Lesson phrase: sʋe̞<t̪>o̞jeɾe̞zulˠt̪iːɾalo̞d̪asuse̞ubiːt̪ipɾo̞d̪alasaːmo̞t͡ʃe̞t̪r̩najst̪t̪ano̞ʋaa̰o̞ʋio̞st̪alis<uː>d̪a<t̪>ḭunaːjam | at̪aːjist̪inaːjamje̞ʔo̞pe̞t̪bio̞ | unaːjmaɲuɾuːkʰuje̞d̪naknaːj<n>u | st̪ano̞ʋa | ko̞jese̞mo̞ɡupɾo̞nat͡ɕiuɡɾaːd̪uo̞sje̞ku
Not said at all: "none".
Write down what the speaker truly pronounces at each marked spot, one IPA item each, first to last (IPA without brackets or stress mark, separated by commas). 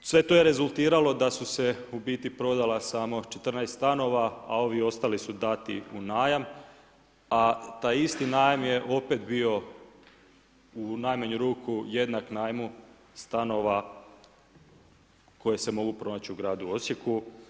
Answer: t̪, u, t̪, m